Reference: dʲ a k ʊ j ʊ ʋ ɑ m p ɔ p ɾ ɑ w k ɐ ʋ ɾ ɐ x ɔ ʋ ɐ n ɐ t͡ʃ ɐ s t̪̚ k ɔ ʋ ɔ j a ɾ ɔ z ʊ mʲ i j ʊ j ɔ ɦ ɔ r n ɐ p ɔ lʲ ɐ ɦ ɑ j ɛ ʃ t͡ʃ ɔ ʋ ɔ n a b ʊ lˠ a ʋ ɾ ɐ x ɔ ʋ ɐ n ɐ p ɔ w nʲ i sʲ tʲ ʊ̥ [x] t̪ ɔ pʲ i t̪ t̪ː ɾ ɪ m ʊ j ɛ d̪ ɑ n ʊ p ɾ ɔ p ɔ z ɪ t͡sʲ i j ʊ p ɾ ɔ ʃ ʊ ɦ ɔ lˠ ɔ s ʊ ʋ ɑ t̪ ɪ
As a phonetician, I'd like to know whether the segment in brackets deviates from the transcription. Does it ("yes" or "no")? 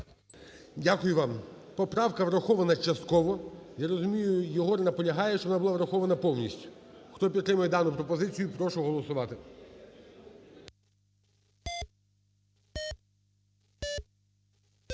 no